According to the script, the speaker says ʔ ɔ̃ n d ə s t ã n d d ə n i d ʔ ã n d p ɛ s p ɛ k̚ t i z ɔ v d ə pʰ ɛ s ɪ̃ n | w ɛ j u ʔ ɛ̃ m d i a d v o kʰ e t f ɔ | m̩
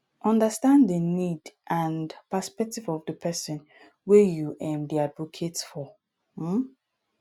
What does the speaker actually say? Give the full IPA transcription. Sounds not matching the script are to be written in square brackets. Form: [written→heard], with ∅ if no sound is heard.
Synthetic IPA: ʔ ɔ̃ n d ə s t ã n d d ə n i d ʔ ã n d p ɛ s p ɛ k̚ t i [z→v] ɔ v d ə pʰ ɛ s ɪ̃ n | w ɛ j u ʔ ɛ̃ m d i a d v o kʰ e t f ɔ | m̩

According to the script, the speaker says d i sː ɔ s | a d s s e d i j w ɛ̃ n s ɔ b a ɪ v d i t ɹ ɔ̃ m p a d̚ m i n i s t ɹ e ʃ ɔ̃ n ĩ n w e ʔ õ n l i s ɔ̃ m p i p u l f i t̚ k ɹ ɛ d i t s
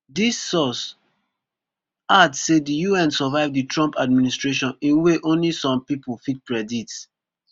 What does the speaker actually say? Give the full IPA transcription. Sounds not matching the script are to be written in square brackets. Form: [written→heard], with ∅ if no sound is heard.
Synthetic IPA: d i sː ɔ s | a d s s e d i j [w→u] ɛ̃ n s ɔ [b→v] a ɪ v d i t ɹ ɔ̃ m p a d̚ m i n i s t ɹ e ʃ ɔ̃ n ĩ n w e ʔ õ n l i s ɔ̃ m p i p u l f i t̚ k ɹ ɛ d i t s

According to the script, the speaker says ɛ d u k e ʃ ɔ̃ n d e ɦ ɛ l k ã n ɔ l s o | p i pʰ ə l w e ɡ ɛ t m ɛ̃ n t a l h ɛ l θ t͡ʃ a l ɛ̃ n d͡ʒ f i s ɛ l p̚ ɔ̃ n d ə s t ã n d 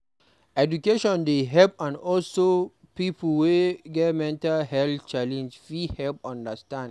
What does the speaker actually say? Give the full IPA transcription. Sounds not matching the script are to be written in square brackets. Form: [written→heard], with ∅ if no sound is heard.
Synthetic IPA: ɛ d u k e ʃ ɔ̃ n d e ɦ ɛ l [k→p] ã n ɔ l s o | p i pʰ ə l w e ɡ ɛ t m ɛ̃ n t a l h ɛ l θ t͡ʃ a l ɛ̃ n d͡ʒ f i [s→h] ɛ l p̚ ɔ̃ n d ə s t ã n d

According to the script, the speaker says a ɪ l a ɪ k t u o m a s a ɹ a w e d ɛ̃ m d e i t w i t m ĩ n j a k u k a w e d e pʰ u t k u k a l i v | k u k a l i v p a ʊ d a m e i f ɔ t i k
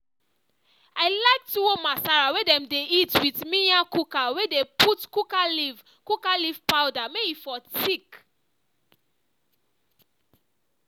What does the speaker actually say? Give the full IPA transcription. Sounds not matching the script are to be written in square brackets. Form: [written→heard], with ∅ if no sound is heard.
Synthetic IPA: a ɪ l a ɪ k t u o m a s a ɹ a w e d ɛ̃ m d e i t w i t m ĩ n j a k u k a w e d e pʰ u t k u k a l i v | k u k a l i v p a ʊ d a m e i f ɔ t i k

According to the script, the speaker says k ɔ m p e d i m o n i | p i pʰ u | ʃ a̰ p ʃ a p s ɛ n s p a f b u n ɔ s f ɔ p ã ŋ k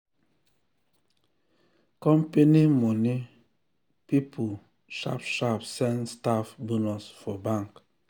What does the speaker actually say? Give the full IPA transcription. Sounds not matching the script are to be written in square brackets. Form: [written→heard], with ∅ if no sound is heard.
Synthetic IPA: k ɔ m p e [d→n] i m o n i | p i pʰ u | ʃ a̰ p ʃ a p s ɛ n s [p→t] a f b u n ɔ s f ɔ [p→b] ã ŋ k

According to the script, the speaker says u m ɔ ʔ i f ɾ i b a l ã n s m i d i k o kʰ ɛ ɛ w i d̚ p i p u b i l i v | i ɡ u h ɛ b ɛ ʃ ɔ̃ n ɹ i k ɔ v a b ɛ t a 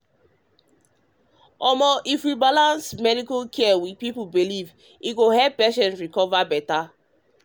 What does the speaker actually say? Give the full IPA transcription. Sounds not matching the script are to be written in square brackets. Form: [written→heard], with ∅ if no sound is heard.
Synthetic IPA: [u→ɔ] m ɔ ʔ i f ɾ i b a l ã n s m [i→ɛ] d i k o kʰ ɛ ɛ w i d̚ p i p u b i l i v | i ɡ [u→o] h ɛ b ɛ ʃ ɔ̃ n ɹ i k ɔ v a b ɛ t a

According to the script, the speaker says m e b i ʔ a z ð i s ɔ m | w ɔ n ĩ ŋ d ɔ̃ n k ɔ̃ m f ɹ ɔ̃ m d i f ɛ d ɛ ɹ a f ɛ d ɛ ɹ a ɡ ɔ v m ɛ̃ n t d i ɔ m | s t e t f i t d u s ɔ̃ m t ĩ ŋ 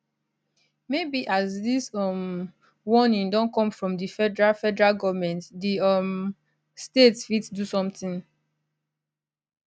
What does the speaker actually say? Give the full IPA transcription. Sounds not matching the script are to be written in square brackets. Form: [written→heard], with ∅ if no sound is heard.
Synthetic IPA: m e b i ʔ a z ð i s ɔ m | w ɔ n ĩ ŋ d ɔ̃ n k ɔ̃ m f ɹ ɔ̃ m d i f ɛ d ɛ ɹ a f ɛ d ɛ ɹ a ɡ ɔ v m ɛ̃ n t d i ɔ m | s t e t f i t d u s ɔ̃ m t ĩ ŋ

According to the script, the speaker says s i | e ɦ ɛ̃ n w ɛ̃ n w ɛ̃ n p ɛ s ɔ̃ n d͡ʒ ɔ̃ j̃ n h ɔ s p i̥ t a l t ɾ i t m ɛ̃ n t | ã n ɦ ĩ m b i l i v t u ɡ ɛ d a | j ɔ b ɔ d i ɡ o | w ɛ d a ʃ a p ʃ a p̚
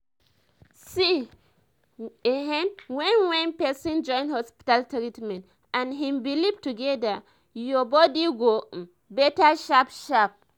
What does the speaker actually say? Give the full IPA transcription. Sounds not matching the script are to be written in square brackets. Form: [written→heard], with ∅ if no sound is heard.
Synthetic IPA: s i | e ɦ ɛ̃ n w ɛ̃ n w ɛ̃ n p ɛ s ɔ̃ n d͡ʒ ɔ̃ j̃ n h ɔ s p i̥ t a l t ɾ i t m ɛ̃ n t | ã n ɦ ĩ m b i l i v t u ɡ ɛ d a | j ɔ b ɔ d i ɡ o | [w→b] ɛ [d→t] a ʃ a p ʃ a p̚

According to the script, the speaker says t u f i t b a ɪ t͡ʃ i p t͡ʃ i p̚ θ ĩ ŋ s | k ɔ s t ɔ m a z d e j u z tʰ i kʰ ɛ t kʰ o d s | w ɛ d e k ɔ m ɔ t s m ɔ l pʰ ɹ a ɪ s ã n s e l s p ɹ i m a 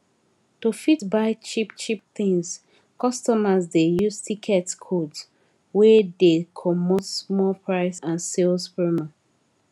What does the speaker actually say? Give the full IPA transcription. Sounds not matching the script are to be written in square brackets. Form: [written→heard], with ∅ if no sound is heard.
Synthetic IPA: t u f i t b a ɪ t͡ʃ i p t͡ʃ i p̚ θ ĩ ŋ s | k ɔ s t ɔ m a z d e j u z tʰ i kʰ ɛ t kʰ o d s | w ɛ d e [k→kʰ] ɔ m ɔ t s m ɔ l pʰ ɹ a ɪ s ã n s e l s p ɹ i m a

